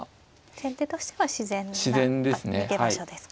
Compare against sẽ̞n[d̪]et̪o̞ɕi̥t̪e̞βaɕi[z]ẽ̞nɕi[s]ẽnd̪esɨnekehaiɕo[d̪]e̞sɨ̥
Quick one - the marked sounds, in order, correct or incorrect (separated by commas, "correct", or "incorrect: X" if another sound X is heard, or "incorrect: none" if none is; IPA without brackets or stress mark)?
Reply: incorrect: t̪, correct, incorrect: z, correct